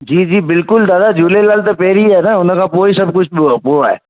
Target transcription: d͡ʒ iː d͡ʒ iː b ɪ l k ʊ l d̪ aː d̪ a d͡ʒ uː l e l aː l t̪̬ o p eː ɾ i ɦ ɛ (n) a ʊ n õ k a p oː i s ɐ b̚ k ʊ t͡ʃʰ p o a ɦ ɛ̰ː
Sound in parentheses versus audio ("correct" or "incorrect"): correct